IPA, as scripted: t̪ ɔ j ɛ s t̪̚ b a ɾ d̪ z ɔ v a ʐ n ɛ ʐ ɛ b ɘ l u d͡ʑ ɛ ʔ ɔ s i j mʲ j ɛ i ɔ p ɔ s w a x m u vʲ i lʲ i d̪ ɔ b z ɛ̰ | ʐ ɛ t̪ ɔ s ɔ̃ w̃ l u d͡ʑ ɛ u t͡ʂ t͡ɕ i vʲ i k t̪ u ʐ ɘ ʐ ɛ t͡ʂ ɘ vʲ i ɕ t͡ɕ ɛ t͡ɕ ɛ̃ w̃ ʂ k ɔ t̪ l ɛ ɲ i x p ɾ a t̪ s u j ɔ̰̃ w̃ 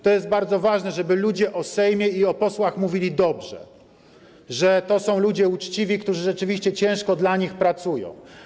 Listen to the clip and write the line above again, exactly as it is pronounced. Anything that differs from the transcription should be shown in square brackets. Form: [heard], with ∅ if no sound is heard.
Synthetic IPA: t̪ ɔ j ɛ s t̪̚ b a ɾ d̪ z ɔ v a ʐ n ɛ ʐ ɛ b ɘ l u d͡ʑ ɛ ʔ ɔ s [ɛ] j mʲ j ɛ i ɔ p ɔ s w a x m u vʲ i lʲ i d̪ ɔ b [ʐ] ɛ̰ | ʐ ɛ t̪ ɔ s ɔ̃ w̃ l u d͡ʑ ɛ u t͡ʂ t͡ɕ i vʲ i k t̪ u ʐ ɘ ʐ ɛ t͡ʂ ɘ vʲ i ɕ t͡ɕ ɛ t͡ɕ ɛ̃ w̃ ʂ k ɔ [d̪] l [a] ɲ i x p ɾ a t̪ s u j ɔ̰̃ w̃

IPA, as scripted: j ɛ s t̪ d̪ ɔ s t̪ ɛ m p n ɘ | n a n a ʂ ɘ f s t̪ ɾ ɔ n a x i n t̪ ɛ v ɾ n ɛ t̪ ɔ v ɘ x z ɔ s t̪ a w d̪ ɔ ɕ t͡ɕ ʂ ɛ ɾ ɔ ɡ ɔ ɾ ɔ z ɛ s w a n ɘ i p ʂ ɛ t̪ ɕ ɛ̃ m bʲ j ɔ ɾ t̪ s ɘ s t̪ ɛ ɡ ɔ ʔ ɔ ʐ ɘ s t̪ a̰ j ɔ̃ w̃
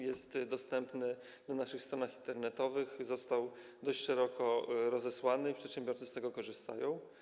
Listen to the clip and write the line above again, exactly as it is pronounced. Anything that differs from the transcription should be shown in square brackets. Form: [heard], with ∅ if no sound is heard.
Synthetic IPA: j ɛ s t̪ d̪ ɔ s t̪ ɛ m p n ɘ | n a n a ʂ ɘ [x] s t̪ ɾ ɔ n a x i n t̪ ɛ [∅] ɾ n ɛ t̪ ɔ v ɘ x z ɔ s t̪ a w d̪ ɔ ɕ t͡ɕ ʂ ɛ ɾ ɔ [k] ɔ ɾ ɔ z ɛ s w a n ɘ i p ʂ ɛ t̪ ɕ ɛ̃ m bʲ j ɔ ɾ t̪ s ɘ s t̪ ɛ ɡ ɔ [k] ɔ ʐ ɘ s t̪ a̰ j ɔ̃ w̃

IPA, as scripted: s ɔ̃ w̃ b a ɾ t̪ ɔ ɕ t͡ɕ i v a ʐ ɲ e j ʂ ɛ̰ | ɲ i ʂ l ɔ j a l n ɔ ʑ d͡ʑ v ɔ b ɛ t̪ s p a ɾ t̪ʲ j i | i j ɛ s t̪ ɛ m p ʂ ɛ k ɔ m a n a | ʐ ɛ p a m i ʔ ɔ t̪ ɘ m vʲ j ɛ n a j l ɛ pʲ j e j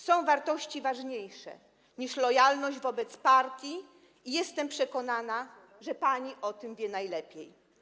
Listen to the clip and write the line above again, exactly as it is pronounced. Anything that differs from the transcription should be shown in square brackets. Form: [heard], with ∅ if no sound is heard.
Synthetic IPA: s ɔ̃ w̃ [v] a ɾ t̪ ɔ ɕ t͡ɕ i v a ʐ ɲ e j ʂ ɛ̰ | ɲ i ʂ l ɔ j a l n ɔ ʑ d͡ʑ v ɔ b ɛ t̪ s p a ɾ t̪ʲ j i | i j ɛ s t̪ ɛ m p ʂ ɛ k ɔ [n] a n a | ʐ ɛ p a [ɲ] i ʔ ɔ t̪ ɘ m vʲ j ɛ n a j l ɛ pʲ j e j

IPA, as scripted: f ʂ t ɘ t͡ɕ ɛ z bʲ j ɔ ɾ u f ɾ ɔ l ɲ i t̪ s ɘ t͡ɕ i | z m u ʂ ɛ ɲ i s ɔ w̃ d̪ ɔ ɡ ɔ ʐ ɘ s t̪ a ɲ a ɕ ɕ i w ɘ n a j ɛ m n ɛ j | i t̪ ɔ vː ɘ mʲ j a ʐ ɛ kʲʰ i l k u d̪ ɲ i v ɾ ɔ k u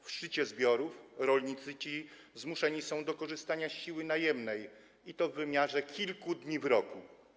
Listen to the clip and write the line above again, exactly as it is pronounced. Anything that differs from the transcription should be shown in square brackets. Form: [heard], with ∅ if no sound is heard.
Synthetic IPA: f ʂ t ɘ t͡ɕ ɛ z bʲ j ɔ ɾ u f ɾ ɔ l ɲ i t̪ s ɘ t͡ɕ i | z m u ʂ ɛ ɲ i s [ɔ̃] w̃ d̪ ɔ [k] ɔ ʐ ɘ s t̪ a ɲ a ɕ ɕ i w ɘ n a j ɛ m n ɛ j | i t̪ ɔ vː ɘ mʲ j a ʐ ɛ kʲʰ i l k u d̪ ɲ i v ɾ ɔ k u

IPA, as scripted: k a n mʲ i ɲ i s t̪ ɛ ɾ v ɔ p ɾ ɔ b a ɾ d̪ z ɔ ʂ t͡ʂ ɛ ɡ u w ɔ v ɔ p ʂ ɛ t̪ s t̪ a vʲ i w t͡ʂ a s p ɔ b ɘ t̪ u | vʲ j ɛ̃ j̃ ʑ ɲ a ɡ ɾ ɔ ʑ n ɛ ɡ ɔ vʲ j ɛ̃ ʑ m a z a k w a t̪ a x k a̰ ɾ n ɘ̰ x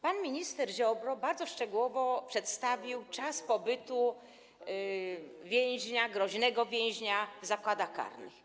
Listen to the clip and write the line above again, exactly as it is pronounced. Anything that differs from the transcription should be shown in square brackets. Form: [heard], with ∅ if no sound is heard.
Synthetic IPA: [p] a n mʲ i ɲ i s t̪ ɛ ɾ [ʑ] ɔ [b] ɾ ɔ b a ɾ d̪ z ɔ ʂ t͡ʂ ɛ ɡ u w ɔ v ɔ p ʂ ɛ t̪ s t̪ a vʲ i w t͡ʂ a s p ɔ b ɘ t̪ u | vʲ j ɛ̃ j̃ ʑ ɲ a ɡ ɾ ɔ ʑ n ɛ ɡ ɔ vʲ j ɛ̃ ʑ [ɲ] a z a k w a [d̪] a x k a̰ ɾ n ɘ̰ x

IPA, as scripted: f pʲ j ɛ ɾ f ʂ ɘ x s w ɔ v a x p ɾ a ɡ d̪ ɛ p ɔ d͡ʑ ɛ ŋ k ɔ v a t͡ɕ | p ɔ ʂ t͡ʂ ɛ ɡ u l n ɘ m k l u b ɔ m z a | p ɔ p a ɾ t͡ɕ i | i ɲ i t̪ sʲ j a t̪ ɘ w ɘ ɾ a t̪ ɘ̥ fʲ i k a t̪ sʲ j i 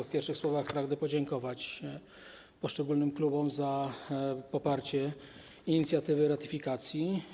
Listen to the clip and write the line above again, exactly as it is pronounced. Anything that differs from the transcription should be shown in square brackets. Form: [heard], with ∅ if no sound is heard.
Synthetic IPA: f pʲ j ɛ ɾ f ʂ ɘ x s w ɔ v a x p ɾ a ɡ d̪ ɛ p ɔ d͡ʑ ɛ ŋ k ɔ v a t͡ɕ | p ɔ ʂ t͡ʂ ɛ ɡ u l n ɘ m k l u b ɔ m z a | p ɔ p a ɾ t͡ɕ [ɛ] | i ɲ i t̪ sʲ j a t̪ ɘ [v] ɘ ɾ a t̪ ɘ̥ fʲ i k a t̪ sʲ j i

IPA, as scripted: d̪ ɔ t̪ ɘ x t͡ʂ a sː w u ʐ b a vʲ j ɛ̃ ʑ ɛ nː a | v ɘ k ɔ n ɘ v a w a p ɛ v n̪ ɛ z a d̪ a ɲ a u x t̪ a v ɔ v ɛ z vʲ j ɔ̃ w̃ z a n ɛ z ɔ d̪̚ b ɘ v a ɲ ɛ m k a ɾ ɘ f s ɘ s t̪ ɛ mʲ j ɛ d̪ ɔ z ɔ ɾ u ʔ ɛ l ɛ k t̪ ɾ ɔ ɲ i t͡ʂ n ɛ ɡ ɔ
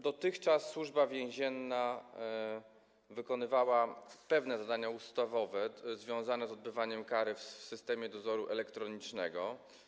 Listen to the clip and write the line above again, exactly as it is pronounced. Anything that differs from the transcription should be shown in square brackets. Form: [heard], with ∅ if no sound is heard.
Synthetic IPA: d̪ ɔ t̪ ɘ x t͡ʂ a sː w u ʐ b a vʲ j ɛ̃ ʑ ɛ nː a | v ɘ k ɔ n ɘ v a w a p ɛ v n̪ ɛ z a d̪ a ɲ a u [s] t̪ a v ɔ v ɛ z vʲ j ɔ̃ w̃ z a n ɛ z ɔ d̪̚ b ɘ v a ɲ ɛ m k a ɾ ɘ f s ɘ s t̪ ɛ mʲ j ɛ d̪ ɔ z ɔ ɾ u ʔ ɛ l ɛ k t̪ ɾ ɔ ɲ i t͡ʂ n ɛ ɡ ɔ

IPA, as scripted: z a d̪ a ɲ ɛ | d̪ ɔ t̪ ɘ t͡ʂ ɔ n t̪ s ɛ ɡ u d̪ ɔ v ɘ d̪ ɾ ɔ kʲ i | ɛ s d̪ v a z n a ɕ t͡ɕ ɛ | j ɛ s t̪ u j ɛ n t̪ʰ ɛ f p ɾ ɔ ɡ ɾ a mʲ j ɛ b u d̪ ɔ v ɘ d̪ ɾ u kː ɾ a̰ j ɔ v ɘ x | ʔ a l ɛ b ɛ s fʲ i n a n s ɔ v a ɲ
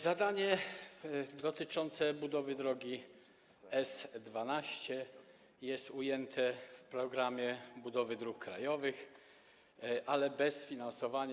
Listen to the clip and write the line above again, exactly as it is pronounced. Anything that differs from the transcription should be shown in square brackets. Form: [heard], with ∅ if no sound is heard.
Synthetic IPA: z a d̪ a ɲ ɛ | d̪ ɔ t̪ ɘ t͡ʂ ɔ n t̪ s ɛ [b] u d̪ ɔ v ɘ d̪ ɾ ɔ [ɡʲ] i | ɛ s d̪ v a [∅] n a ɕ t͡ɕ ɛ | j ɛ s t̪ u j ɛ n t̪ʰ ɛ f p ɾ ɔ ɡ ɾ a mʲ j ɛ b u d̪ ɔ v ɘ d̪ ɾ u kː ɾ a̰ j ɔ v ɘ x | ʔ a l ɛ b ɛ s fʲ i n a n s ɔ v a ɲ

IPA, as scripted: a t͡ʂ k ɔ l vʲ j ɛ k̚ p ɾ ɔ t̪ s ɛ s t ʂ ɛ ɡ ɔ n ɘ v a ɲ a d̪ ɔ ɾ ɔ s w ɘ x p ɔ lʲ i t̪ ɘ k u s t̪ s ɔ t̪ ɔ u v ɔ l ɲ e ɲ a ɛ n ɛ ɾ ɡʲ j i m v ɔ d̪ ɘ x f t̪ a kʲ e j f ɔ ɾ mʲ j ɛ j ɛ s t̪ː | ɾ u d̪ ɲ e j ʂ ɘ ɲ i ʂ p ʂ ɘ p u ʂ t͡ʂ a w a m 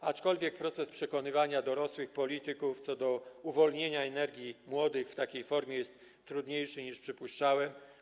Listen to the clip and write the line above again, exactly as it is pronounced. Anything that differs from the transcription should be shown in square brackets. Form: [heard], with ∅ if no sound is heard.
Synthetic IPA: a t͡ʂ k ɔ l vʲ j ɛ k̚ p ɾ ɔ t̪ s ɛ s [p] ʂ ɛ [k] ɔ n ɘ v a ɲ a d̪ ɔ ɾ ɔ s w ɘ x p ɔ lʲ i t̪ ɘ k u [f] t̪ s ɔ [d̪] ɔ u v ɔ l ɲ e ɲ a ɛ n ɛ ɾ ɡʲ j i m [w] ɔ d̪ ɘ x f t̪ a kʲ e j f ɔ ɾ mʲ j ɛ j ɛ s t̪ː | ɾ u d̪ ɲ e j ʂ ɘ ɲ i ʂ p ʂ ɘ p u ʂ t͡ʂ a w [ɛ] m

